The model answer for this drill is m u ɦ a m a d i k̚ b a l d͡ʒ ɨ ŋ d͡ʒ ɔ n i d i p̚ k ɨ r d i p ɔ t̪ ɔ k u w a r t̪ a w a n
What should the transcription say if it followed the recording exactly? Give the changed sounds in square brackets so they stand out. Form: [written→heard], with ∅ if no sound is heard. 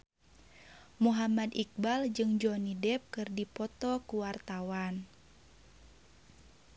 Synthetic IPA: m u ɦ a m a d i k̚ b a l d͡ʒ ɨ ŋ d͡ʒ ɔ n i d [i→ɛ] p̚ k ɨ r d i p ɔ t̪ ɔ k u w a r t̪ a w a n